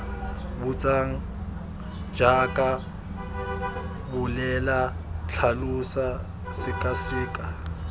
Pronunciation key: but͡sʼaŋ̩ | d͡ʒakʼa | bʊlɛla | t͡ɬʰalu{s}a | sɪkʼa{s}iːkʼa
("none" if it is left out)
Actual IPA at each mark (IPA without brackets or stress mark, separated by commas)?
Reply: s, s